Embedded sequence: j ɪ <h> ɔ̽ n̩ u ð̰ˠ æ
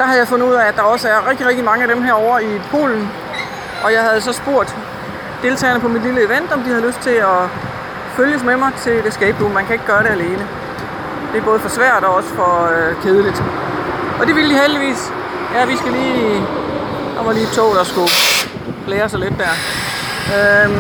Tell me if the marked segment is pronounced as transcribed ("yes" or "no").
no